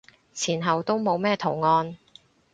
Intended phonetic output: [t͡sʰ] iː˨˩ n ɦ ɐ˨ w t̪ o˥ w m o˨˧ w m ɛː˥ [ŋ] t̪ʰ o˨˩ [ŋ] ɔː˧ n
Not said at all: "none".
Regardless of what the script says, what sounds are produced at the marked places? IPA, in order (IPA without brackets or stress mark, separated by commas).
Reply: t͡sʰ, none, ŋ